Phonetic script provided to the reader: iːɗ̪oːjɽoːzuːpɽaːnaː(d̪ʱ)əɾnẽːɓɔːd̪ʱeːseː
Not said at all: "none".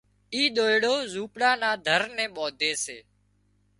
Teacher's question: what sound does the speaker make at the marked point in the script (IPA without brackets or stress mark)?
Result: d̪ʱ